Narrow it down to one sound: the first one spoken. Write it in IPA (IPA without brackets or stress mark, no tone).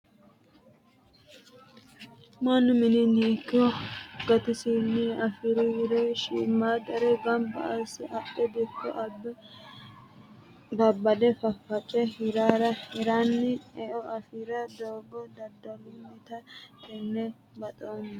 m